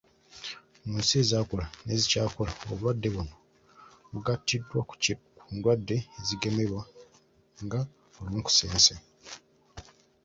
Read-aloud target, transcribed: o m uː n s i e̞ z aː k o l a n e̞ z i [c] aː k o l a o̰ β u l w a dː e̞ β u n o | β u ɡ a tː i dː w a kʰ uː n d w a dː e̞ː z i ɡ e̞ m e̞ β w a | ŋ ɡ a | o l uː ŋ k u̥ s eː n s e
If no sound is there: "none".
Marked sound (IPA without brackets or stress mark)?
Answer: c